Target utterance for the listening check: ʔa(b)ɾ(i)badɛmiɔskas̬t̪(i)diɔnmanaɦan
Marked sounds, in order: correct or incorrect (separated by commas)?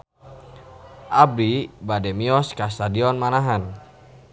correct, correct, incorrect